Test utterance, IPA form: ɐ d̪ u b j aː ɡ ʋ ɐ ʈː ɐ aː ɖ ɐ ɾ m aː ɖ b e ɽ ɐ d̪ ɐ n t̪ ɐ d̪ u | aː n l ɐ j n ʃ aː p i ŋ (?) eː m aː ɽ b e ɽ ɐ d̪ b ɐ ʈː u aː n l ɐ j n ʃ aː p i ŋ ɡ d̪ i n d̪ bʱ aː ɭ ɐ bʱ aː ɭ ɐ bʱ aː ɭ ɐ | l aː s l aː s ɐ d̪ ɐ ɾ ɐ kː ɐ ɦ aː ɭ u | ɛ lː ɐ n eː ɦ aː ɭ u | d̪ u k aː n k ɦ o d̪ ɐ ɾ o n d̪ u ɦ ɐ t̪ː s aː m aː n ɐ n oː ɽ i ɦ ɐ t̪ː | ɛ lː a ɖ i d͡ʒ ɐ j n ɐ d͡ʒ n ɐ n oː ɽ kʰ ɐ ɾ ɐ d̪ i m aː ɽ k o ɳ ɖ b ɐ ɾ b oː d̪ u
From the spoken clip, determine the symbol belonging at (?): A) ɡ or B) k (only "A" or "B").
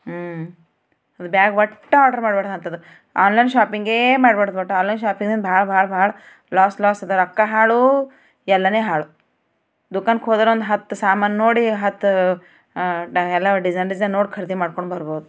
A